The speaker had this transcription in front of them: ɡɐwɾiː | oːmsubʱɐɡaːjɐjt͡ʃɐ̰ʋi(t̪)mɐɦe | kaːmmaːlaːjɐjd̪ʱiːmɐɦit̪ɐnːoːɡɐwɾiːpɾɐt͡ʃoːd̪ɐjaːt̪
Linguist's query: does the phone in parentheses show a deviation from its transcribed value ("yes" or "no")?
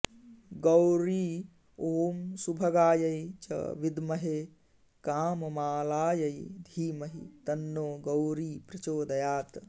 yes